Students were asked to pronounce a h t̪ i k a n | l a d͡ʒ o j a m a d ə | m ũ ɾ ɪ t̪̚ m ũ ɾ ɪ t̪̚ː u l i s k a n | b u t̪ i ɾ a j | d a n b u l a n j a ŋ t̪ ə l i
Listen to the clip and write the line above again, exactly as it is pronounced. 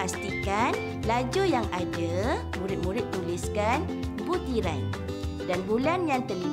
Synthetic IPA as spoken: a s t̪ i k a n | l a d͡ʒ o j a ŋ a d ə | m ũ ɾ ɪ t̪̚ m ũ ɾ ɪ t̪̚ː u l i s k a n | b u t̪ i ɾ a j | d a n b u l a n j a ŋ t̪ ə l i